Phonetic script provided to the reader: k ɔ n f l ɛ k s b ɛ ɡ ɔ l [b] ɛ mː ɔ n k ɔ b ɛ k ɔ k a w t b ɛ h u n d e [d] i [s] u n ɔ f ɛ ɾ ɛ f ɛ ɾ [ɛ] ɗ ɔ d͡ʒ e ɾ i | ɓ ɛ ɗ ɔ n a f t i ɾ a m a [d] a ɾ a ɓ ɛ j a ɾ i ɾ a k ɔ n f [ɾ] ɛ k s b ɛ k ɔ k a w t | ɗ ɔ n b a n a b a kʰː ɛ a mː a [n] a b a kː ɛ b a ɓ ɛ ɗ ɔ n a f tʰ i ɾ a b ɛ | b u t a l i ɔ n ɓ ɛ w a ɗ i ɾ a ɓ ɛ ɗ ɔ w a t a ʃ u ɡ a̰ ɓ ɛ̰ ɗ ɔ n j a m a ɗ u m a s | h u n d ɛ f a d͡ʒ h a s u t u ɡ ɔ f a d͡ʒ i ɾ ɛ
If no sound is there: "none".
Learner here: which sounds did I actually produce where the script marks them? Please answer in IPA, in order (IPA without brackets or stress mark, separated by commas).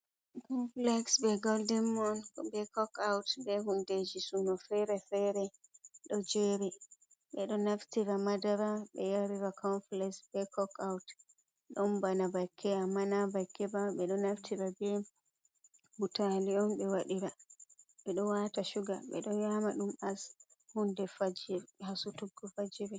d, d͡ʒ, s, ɛ, d, l, n